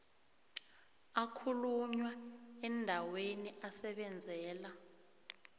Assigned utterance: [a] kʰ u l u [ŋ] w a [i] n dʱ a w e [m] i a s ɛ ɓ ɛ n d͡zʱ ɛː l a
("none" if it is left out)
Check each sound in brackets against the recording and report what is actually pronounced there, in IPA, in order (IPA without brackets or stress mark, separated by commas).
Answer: a, ɲ, ɛ, n